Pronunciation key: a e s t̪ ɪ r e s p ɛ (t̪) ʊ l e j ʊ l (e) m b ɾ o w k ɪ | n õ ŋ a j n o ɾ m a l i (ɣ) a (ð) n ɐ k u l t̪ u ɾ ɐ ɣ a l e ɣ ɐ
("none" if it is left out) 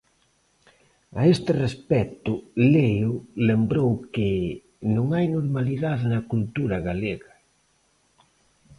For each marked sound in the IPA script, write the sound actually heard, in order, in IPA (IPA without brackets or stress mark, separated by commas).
t̪, e, ð, ð